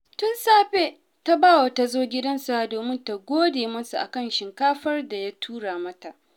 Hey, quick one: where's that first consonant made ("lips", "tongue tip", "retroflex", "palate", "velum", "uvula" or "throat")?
tongue tip